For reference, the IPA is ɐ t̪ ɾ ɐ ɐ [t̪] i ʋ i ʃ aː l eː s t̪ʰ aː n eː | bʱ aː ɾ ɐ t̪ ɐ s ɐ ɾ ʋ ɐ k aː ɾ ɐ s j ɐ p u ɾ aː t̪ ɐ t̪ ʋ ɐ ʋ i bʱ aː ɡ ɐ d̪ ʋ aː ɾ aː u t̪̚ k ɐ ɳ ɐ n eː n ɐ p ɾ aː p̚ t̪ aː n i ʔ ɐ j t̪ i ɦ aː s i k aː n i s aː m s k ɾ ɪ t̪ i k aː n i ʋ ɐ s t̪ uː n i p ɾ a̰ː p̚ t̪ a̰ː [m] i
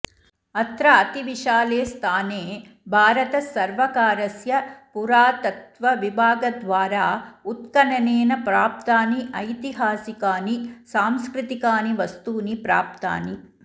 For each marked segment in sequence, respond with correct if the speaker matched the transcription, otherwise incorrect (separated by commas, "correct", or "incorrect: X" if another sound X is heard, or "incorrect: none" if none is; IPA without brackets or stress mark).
correct, incorrect: n